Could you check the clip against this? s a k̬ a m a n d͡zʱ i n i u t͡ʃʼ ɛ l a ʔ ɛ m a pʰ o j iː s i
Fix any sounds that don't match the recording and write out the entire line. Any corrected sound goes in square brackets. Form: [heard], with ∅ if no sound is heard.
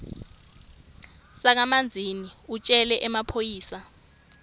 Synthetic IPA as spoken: s a k̬ a m a n d͡zʱ i n i u t͡ʃʼ ɛ l [ɛ] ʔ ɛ m a pʰ o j iː s [a]